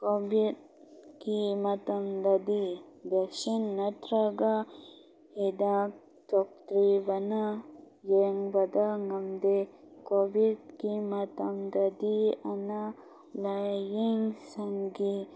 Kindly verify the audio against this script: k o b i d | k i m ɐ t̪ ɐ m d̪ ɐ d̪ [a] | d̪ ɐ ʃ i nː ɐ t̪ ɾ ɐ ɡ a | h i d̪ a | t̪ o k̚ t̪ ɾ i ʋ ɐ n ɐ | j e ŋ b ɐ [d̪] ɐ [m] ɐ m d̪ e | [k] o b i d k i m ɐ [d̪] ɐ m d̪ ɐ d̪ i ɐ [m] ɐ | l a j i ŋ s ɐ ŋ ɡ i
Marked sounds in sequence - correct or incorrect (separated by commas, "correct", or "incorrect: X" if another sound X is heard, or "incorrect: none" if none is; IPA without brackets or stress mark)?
incorrect: i, correct, incorrect: ŋ, correct, incorrect: t̪, incorrect: n